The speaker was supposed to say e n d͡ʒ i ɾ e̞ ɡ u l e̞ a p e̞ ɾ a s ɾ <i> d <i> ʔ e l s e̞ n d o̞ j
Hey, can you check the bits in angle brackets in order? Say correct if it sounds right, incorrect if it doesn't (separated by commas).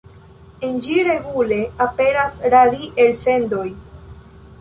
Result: incorrect, correct